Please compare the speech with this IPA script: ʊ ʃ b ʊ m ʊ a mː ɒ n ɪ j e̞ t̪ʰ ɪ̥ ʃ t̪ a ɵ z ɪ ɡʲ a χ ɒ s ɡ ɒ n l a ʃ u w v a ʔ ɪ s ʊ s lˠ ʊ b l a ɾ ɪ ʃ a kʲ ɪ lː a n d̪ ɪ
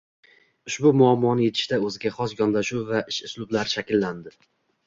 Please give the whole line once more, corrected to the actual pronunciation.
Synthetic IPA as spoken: ʊ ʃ b ʊ m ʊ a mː ɒ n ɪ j e̞ t̪ʰ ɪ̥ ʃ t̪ a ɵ z ɪ ɡʲ a χ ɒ s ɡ ɒ n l a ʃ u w v a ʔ ɪ ʃ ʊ s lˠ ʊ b l a ɾ ɪ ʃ a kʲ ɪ lː a n d̪ ɪ